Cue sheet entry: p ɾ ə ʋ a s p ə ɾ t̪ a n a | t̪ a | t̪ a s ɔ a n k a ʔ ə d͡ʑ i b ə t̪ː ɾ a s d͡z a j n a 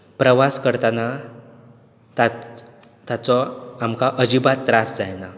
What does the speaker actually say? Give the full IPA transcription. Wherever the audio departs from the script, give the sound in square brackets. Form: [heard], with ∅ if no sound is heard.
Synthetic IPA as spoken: p ɾ ə ʋ a s [k] ə ɾ t̪ a n a | t̪ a | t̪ a [t͡s] ɔ a [m] k a ʔ ə d͡ʑ i b [a] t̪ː ɾ a s d͡z a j n a